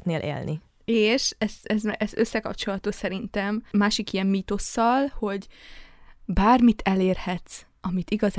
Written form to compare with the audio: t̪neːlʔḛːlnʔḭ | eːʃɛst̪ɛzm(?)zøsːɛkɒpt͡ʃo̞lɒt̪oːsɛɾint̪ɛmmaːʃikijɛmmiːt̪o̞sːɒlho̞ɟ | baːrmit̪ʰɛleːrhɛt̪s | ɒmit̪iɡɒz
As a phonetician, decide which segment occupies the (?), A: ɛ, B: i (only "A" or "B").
A